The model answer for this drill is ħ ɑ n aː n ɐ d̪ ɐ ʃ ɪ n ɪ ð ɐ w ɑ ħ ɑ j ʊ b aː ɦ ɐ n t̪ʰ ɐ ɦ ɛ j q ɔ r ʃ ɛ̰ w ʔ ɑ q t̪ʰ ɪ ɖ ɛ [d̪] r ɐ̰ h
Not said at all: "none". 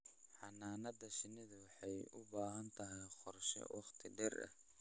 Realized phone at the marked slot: none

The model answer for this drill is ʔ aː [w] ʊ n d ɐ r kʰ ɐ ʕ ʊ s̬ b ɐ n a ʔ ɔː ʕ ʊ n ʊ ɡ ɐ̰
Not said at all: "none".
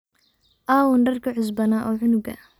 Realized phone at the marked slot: w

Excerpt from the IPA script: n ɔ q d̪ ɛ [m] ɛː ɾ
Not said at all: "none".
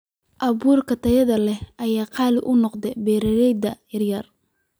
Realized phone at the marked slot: b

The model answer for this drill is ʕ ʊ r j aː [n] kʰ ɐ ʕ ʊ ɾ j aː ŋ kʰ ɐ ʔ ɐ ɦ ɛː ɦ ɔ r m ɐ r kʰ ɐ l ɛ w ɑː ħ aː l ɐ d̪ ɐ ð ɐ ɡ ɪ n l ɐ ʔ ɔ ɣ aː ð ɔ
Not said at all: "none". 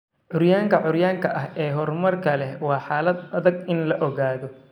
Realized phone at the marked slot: ŋ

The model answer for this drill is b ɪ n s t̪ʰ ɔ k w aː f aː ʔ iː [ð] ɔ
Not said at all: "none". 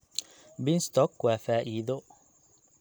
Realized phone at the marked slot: ð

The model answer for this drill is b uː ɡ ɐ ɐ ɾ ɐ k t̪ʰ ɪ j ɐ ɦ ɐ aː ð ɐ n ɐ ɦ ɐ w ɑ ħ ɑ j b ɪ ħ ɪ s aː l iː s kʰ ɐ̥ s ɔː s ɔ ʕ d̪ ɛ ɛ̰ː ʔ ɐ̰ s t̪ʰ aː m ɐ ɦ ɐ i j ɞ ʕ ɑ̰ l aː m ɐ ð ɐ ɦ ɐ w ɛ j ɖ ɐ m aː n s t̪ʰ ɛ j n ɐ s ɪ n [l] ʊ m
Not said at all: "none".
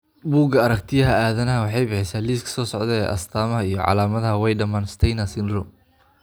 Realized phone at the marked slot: r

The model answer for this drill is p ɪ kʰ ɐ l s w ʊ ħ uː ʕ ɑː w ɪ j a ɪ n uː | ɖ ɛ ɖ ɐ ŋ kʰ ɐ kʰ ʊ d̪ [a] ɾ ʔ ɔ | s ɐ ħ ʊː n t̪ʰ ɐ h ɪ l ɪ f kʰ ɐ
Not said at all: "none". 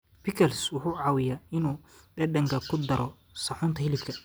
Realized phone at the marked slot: ɐ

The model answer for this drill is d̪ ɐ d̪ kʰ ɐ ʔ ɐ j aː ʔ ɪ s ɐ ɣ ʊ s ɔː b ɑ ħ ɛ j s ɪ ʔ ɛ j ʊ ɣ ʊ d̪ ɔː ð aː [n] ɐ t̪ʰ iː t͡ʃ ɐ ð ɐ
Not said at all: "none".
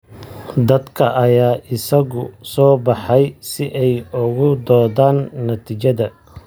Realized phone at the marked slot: nː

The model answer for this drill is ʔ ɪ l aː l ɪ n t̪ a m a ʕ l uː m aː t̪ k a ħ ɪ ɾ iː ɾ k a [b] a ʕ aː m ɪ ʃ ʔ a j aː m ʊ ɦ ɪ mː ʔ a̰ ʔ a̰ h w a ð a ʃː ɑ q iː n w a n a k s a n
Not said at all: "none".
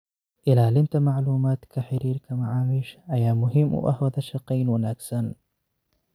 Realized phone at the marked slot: m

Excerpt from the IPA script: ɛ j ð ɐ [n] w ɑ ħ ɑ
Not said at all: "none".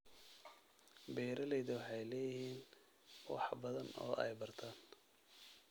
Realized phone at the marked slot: none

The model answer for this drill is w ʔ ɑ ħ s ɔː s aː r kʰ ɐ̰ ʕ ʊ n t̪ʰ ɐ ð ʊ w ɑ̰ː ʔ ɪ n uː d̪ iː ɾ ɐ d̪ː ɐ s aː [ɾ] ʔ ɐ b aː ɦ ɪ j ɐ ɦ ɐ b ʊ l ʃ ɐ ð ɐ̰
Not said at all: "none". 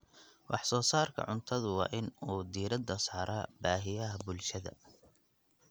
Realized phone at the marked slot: ɾ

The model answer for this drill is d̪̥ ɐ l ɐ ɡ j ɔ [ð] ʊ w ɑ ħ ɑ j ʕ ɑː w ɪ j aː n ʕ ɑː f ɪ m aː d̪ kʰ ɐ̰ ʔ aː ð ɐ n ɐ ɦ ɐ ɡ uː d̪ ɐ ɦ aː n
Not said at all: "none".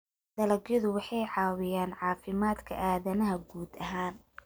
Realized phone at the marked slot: ð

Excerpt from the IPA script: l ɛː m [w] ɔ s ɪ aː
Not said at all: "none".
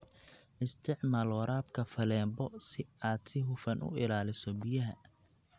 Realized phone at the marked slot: b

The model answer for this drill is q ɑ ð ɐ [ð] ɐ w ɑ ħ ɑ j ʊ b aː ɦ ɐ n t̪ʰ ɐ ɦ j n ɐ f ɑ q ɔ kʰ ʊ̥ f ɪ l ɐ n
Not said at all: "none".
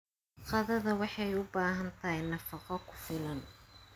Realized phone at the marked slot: ð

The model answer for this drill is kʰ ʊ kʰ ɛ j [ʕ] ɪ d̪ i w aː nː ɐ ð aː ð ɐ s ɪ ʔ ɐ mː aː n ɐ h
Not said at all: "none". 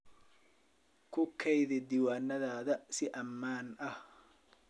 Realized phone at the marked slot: ð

